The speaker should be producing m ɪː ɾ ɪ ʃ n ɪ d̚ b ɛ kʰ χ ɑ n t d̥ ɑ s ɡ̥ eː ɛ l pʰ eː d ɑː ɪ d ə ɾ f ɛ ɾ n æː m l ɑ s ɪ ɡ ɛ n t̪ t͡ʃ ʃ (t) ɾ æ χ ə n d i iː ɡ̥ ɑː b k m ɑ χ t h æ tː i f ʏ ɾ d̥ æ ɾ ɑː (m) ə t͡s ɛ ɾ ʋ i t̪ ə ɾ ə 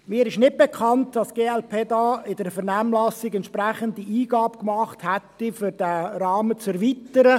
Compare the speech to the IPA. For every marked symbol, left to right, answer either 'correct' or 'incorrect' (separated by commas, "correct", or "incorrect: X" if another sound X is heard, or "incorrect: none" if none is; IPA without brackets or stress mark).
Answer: incorrect: p, correct